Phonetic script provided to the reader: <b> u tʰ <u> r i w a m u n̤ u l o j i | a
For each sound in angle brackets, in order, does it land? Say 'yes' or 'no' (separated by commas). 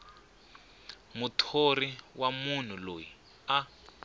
no, no